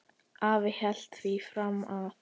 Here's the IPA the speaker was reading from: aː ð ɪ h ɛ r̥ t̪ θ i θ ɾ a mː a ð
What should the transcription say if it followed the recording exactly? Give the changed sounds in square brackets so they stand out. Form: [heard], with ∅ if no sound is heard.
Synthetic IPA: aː [v] ɪ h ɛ [l̥] t̪ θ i [f] ɾ a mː a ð